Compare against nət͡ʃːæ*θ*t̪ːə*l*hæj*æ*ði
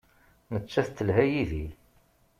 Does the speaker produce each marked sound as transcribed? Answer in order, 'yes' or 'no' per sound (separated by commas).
yes, yes, no